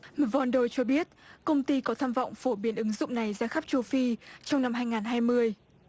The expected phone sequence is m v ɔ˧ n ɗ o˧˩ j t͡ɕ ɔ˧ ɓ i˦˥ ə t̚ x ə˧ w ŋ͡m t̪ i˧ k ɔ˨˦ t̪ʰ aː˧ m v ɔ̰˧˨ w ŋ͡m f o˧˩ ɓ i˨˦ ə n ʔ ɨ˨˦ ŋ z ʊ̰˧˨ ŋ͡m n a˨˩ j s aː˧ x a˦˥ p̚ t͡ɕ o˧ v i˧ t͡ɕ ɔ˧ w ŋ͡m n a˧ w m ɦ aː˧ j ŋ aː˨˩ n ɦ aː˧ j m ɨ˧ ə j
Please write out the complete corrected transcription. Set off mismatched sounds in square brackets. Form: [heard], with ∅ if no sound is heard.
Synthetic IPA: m v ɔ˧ n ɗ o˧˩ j t͡ɕ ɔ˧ ɓ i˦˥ ə t̚ [k] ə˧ w ŋ͡m t̪ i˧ k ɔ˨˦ t̪ʰ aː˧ m v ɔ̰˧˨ w ŋ͡m f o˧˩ ɓ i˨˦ ə n ʔ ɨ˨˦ ŋ z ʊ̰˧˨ ŋ͡m n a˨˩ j [z] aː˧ x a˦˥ p̚ t͡ɕ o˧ [f] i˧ t͡ɕ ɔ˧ w ŋ͡m n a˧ [∅] m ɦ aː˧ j ŋ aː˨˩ n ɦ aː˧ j m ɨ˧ ə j